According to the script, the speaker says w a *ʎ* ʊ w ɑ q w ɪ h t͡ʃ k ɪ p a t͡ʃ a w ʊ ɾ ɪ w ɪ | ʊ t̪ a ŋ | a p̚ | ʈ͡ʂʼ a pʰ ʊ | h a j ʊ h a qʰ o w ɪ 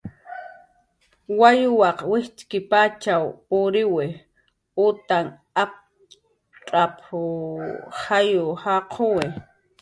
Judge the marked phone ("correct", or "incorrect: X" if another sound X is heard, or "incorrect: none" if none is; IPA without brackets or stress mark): incorrect: j